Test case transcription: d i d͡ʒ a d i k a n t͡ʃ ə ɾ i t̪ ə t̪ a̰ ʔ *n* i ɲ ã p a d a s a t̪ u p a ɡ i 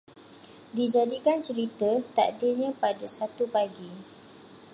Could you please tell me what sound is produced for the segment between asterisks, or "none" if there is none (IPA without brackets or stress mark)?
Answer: d